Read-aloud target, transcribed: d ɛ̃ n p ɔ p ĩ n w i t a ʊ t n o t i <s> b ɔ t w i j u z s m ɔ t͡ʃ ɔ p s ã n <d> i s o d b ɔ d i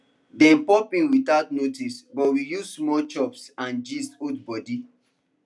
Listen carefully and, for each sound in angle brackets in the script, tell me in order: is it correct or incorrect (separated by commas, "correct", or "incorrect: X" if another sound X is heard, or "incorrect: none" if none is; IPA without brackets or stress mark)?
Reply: correct, incorrect: d͡ʒ